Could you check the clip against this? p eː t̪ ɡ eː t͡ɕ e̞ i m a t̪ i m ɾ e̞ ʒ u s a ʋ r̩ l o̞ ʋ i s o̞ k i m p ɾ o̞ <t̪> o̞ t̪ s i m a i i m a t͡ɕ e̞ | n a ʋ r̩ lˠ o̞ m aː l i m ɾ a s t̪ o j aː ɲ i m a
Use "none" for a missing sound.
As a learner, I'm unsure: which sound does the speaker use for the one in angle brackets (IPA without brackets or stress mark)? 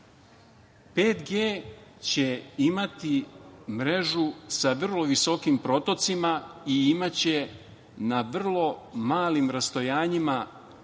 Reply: t̪